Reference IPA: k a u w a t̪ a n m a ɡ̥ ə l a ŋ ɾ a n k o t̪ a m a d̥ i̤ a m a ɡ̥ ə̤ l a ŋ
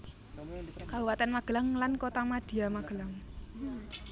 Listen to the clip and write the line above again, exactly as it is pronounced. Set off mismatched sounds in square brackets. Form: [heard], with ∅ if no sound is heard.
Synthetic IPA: k a u w a t̪ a n m a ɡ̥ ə l a ŋ [l] a n k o t̪ a m a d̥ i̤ a m a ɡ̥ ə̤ l a ŋ